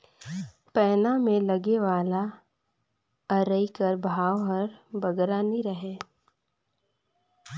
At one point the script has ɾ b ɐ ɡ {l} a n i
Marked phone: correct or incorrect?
incorrect